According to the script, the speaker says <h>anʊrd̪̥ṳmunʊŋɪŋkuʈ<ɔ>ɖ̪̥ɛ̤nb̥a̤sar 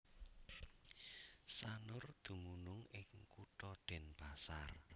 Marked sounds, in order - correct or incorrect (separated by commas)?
incorrect, correct